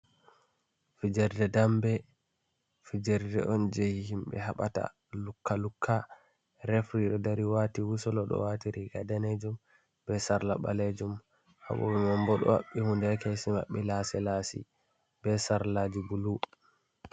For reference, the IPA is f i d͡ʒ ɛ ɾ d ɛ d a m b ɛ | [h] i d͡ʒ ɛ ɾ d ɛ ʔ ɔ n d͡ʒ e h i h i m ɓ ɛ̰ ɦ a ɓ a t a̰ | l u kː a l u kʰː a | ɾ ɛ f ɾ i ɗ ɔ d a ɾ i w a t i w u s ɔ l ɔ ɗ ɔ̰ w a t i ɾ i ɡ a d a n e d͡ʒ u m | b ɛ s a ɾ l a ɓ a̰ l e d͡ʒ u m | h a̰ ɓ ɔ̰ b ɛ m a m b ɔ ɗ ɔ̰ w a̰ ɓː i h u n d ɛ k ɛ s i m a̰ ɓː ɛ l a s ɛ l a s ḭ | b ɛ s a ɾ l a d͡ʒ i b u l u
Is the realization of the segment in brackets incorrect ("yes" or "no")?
yes